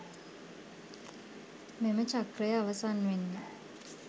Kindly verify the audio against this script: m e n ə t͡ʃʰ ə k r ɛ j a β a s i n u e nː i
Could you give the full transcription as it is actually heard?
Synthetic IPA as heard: m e m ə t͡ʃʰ a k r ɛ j a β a s a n w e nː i